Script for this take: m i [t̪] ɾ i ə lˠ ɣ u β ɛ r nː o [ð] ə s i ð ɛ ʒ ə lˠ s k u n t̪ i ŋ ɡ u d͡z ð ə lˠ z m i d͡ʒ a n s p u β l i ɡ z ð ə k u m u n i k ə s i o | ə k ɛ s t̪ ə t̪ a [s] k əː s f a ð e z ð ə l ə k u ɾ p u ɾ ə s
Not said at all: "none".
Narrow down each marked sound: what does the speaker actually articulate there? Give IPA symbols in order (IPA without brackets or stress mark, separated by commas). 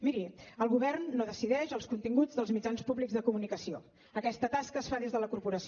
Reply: none, ð, s